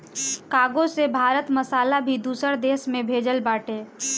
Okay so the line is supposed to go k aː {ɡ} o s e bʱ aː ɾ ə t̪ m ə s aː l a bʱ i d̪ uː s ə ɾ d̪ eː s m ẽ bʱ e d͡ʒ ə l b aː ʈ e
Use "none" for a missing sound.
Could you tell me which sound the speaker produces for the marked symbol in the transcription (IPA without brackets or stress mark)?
ɡ